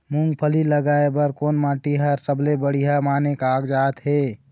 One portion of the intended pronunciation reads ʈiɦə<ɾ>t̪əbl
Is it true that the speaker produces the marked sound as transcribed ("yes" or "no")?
yes